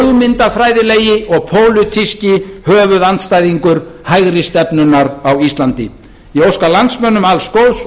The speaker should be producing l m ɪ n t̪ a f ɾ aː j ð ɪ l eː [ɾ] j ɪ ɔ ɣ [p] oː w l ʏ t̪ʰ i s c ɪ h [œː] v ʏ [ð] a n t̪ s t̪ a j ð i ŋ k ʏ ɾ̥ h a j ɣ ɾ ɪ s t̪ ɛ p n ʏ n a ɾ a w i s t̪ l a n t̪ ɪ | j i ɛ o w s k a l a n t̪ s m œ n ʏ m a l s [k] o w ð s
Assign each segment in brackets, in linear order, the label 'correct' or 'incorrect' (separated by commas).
incorrect, incorrect, correct, correct, correct